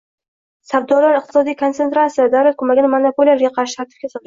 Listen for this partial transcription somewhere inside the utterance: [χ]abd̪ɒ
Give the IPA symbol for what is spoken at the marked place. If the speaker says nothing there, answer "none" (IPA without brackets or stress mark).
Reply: s